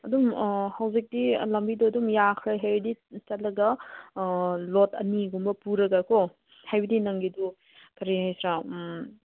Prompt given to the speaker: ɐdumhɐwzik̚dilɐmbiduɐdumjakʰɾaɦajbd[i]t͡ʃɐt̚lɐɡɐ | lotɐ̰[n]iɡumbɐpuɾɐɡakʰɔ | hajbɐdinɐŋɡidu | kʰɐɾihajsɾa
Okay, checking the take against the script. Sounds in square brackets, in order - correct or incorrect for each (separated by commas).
correct, correct